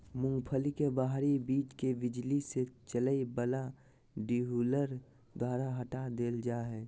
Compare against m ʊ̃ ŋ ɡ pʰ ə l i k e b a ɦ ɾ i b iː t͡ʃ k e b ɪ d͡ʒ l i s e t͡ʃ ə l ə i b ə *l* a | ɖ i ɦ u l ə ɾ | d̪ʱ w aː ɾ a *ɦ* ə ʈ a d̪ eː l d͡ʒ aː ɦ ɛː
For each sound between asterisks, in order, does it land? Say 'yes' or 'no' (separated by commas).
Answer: yes, yes